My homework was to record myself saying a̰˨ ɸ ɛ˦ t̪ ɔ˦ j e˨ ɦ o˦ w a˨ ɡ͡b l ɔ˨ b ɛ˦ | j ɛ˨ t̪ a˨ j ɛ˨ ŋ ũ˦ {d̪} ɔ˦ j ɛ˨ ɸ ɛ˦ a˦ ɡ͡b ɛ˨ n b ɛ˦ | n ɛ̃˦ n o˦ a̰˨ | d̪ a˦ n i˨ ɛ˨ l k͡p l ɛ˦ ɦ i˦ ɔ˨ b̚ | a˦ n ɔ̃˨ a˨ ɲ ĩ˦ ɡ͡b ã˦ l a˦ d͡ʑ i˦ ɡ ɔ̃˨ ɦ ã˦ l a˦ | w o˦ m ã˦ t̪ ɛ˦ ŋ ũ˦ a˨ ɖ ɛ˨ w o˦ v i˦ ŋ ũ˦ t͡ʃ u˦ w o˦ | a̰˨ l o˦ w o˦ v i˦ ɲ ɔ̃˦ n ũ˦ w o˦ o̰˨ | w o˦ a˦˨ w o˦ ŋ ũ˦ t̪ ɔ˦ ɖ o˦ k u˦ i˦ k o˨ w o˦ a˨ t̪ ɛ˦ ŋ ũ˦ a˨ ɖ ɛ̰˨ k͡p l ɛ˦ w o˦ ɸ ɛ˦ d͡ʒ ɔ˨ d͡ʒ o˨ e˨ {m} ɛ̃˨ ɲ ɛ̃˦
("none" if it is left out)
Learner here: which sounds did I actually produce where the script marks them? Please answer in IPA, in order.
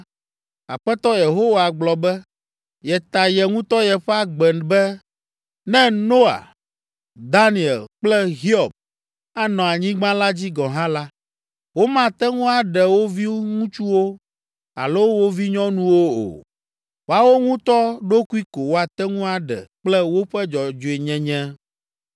t̪, ɲ

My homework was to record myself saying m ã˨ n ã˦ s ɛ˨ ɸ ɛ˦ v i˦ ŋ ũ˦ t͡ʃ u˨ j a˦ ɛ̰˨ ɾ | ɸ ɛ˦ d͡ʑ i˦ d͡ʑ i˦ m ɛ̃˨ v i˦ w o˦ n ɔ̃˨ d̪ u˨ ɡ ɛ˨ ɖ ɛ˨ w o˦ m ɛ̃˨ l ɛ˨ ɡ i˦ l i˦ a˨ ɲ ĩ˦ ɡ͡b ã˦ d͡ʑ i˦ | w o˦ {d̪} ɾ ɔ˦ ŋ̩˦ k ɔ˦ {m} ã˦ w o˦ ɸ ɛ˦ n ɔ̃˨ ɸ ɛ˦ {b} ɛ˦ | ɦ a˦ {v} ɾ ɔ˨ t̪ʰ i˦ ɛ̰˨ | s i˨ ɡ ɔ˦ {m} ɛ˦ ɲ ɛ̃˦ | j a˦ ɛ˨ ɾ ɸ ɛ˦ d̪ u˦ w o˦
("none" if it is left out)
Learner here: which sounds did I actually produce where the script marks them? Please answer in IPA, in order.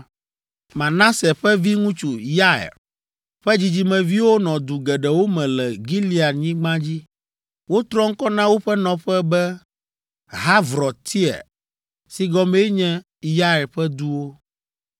t̪, n, b, v, m

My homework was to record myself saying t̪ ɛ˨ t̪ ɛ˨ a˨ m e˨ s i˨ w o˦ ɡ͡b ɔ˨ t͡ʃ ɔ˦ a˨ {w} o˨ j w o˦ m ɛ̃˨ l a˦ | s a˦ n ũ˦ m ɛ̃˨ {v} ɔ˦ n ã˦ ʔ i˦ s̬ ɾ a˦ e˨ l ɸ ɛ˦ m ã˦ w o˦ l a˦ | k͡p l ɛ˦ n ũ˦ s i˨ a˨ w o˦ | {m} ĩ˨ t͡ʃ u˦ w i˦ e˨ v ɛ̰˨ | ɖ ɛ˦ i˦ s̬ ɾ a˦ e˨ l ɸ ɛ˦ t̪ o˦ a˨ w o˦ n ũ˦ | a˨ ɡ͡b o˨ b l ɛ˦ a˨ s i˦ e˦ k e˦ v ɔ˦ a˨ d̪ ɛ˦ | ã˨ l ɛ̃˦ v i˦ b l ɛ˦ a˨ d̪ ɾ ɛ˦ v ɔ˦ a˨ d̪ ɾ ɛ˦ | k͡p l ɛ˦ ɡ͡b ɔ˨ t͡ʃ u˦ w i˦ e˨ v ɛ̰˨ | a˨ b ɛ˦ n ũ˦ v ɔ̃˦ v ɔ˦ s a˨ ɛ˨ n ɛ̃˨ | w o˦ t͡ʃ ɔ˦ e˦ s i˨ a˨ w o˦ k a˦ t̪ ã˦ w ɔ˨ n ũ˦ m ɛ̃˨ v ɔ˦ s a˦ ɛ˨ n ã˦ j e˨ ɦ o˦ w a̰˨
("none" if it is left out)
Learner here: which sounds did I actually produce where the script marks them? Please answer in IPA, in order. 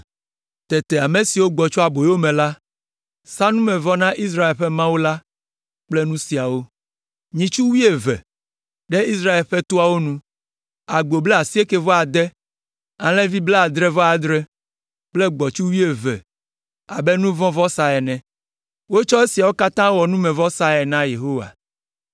b, v, ɲ

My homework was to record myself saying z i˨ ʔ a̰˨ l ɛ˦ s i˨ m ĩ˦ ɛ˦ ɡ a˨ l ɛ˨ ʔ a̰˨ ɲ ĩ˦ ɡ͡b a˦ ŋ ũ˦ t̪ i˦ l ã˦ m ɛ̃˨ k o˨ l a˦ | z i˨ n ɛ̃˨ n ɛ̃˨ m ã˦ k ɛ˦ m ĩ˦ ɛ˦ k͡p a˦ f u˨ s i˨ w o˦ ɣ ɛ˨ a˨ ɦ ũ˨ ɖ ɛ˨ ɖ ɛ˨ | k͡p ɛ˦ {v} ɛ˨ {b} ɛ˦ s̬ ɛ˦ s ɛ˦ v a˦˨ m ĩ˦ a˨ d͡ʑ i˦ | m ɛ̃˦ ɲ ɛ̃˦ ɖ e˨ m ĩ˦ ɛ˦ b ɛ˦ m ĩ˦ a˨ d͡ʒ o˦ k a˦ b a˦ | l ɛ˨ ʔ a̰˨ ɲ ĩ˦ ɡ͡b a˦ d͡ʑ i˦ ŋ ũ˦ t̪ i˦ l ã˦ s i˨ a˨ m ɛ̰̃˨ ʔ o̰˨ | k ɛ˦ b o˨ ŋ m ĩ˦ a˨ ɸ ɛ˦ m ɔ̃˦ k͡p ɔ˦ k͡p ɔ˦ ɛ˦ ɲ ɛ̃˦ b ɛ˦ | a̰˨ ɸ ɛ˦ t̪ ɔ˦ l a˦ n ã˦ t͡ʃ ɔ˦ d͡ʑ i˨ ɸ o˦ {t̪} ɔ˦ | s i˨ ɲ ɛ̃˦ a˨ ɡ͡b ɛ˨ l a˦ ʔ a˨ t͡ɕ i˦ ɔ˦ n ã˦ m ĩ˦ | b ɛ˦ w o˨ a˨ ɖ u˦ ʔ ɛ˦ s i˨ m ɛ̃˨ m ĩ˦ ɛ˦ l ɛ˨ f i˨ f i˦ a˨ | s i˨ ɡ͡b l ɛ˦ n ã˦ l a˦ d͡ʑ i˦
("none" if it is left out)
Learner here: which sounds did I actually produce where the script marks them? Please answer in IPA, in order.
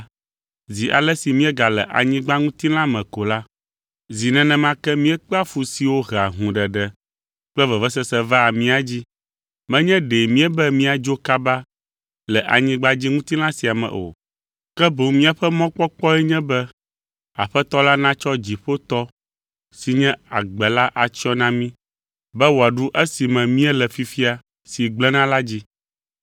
v, v, t̪

